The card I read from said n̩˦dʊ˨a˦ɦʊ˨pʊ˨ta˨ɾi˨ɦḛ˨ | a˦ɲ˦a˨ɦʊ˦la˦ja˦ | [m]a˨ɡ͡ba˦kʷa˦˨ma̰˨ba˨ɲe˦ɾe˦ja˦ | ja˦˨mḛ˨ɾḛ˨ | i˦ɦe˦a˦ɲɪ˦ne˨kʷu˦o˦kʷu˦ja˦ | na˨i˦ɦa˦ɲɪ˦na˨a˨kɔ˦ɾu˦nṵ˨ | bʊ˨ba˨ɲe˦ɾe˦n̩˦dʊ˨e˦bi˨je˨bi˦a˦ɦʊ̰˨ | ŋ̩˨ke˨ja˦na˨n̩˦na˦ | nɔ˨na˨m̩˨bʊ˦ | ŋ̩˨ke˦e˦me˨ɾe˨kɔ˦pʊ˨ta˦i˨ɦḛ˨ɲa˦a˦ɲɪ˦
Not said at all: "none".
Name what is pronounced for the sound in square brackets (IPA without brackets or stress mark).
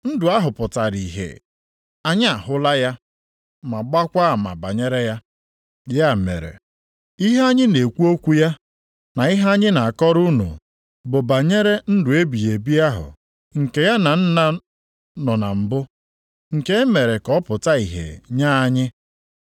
m